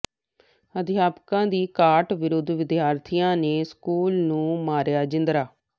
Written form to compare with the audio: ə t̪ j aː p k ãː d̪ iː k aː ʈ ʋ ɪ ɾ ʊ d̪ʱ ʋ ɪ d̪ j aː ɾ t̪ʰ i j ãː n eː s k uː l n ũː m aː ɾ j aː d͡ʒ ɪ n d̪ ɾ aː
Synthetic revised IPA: ə d̪ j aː p k ãː d̪ iː k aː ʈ ʋ ɪ ɾ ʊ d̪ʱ ʋ ɪ d̪ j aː ɾ t̪ʰ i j ãː n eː s k uː l n ũː m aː ɾ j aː d͡ʒ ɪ n d̪ ɾ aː